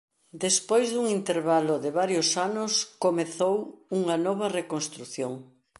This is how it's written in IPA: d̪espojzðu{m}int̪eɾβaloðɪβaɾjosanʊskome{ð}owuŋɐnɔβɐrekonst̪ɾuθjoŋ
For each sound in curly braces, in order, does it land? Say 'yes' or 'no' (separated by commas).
no, no